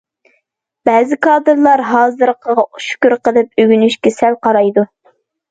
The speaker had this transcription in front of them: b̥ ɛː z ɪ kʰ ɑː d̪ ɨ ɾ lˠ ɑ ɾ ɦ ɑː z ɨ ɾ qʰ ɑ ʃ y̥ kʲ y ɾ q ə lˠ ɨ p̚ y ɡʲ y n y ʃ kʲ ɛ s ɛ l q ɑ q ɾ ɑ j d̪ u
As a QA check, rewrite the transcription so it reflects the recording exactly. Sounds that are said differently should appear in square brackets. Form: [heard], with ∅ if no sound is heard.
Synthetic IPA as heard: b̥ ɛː z ɪ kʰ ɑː d̪ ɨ ɾ lˠ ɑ ɾ ɦ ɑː z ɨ ɾ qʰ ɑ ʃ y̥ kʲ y ɾ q ə lˠ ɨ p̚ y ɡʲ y n y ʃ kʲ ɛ s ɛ l q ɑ [∅] ɾ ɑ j d̪ u